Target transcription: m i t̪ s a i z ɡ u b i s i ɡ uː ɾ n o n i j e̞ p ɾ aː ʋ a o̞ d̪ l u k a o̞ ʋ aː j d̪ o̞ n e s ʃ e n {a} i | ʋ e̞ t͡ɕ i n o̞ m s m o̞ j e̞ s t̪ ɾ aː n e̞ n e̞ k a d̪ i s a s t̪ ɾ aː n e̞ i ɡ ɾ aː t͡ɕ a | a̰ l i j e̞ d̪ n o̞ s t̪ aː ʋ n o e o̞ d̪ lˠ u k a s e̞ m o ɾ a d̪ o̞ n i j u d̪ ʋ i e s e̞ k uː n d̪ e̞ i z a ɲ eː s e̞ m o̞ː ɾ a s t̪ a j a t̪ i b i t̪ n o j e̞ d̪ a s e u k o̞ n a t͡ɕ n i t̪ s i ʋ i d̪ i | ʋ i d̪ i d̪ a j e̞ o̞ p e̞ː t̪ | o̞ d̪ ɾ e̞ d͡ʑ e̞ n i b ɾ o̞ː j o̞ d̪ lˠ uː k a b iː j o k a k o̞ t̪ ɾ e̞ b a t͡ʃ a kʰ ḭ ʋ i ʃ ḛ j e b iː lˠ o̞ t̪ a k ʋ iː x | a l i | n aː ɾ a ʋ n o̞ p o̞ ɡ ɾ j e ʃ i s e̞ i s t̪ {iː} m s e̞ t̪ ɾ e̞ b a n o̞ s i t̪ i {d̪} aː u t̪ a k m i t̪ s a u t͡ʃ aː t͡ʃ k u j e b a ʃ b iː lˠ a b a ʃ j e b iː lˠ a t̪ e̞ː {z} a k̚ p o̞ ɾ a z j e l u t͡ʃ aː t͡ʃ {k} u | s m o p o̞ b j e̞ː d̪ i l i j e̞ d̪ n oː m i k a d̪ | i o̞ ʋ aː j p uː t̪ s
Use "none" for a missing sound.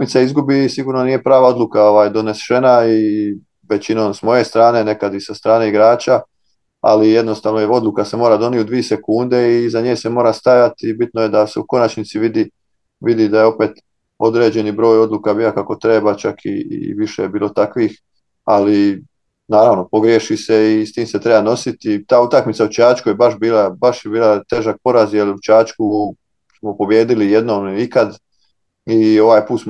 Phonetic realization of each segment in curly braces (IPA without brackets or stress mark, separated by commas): a, iː, t̪, ʒ, k